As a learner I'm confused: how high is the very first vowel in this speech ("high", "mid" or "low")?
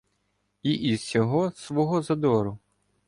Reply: high